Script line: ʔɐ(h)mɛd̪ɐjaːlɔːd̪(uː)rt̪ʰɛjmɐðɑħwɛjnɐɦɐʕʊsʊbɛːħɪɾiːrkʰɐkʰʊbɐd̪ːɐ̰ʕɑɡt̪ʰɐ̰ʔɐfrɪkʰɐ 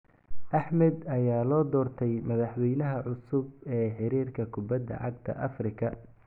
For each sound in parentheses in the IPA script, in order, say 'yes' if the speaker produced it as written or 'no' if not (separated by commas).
no, no